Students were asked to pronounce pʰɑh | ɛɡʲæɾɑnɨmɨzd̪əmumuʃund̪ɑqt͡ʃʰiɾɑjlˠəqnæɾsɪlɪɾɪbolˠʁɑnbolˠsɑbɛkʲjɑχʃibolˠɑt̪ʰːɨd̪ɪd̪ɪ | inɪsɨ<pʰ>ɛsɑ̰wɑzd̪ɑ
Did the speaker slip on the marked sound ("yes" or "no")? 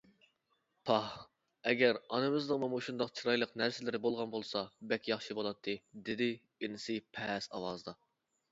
no